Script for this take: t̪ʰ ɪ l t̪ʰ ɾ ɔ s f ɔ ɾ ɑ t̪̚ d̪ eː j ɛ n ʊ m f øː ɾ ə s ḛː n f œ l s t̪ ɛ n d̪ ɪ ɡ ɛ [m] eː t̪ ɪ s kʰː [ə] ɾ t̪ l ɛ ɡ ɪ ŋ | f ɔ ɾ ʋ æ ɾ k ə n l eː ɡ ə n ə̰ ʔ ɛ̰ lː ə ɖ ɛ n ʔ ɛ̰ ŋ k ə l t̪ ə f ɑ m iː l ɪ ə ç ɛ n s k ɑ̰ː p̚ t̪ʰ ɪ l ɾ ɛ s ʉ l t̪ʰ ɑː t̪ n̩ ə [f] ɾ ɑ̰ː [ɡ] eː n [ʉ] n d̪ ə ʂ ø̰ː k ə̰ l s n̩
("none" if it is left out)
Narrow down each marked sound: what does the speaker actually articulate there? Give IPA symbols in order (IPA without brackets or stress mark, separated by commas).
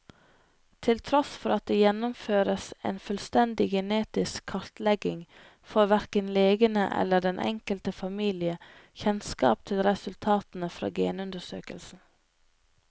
n, ɑ, f, ɡ, ʉ